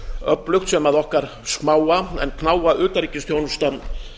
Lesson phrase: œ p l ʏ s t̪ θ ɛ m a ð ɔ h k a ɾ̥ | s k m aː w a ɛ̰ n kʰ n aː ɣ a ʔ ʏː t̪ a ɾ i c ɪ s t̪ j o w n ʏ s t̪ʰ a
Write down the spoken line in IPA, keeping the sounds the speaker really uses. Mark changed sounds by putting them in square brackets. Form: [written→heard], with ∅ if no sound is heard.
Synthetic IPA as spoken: œ p l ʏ [s→x] t̪ [θ→s] ɛ m a ð ɔ h k a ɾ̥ | s k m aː w a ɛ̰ n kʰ n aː [ɣ→w] a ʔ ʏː t̪ a ɾ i c ɪ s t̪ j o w n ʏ s [t̪ʰ→t̪] a